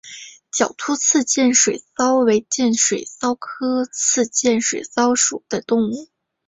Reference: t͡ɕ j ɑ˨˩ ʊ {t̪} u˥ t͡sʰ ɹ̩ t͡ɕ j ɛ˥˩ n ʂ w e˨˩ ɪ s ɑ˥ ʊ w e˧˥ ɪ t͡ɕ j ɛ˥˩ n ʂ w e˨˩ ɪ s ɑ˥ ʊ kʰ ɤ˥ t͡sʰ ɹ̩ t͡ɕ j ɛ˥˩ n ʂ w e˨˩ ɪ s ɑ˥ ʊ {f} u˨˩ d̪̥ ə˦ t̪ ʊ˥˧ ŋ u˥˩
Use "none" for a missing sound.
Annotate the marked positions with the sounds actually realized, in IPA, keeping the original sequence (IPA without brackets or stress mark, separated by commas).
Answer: t̪ʰ, ʂ